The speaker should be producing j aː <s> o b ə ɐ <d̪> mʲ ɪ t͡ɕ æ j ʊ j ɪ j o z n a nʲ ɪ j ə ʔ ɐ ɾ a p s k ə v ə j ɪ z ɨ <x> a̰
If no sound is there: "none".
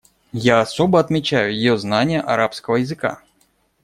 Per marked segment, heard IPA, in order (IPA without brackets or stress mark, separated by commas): s, t̪, k